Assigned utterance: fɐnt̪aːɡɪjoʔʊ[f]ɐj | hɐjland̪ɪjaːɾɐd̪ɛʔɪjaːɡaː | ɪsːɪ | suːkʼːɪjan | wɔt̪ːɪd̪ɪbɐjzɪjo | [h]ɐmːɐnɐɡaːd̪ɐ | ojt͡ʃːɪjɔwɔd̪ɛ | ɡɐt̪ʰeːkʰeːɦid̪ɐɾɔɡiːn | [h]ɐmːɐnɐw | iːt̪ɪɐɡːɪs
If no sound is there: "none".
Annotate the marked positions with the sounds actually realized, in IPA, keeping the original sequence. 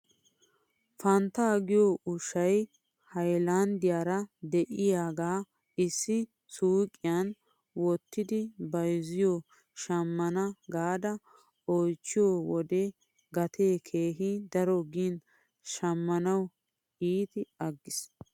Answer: ʃ, ʃ, ʃ

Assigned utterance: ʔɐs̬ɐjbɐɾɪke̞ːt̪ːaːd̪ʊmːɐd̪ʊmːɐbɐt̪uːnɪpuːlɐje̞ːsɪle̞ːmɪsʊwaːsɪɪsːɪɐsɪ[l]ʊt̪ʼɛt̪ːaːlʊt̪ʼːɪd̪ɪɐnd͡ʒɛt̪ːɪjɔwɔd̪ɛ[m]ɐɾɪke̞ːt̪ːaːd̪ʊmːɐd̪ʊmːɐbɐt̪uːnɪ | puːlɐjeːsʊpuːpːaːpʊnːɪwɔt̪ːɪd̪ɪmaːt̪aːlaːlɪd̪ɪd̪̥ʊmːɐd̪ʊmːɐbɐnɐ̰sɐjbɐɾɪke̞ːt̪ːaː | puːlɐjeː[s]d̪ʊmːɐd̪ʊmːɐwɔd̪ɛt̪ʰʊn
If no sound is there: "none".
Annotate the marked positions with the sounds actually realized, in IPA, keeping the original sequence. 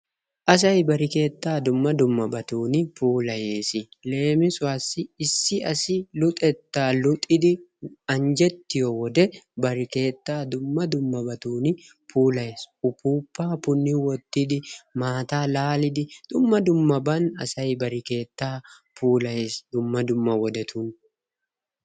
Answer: l, b, s

